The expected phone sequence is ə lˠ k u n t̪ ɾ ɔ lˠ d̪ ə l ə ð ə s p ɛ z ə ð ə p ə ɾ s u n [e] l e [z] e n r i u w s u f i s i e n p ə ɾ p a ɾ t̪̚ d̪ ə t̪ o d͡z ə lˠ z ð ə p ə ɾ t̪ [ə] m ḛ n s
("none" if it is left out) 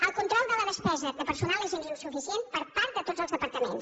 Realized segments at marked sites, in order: a, z, ə

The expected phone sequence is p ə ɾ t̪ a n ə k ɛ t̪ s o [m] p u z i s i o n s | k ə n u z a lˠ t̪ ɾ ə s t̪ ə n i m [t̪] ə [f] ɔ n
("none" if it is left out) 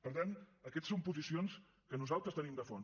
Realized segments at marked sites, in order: m, d̪, f

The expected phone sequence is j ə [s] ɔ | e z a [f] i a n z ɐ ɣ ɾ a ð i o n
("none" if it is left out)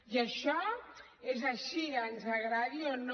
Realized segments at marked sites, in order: ʃ, ʃ

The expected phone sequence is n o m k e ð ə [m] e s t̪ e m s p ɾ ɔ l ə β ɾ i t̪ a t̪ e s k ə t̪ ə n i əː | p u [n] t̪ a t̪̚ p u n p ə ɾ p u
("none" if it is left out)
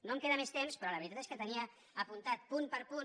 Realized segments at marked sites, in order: m, n

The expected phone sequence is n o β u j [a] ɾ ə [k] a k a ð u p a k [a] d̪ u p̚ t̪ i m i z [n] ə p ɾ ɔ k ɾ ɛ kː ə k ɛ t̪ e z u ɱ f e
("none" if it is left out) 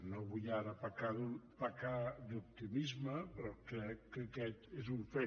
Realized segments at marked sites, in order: a, p, a, m

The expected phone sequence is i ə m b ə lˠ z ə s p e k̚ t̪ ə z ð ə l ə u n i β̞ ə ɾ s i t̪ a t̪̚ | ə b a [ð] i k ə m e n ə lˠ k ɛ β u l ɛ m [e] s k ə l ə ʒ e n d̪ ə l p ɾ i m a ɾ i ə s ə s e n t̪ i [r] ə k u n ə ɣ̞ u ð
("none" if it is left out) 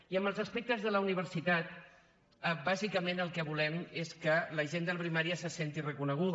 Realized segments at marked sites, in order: z, e, r

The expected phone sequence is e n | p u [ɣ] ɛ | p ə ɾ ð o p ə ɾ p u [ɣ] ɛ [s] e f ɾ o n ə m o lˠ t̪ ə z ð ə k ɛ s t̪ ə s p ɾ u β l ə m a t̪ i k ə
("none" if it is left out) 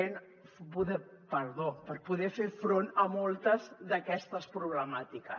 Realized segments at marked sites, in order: ð, ð, f

